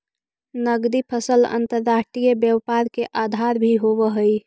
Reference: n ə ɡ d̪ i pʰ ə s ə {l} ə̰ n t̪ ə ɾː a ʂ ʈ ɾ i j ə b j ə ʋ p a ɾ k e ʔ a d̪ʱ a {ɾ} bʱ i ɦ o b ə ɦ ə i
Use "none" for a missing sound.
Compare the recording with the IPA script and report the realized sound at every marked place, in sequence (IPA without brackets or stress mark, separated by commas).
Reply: l, ɾ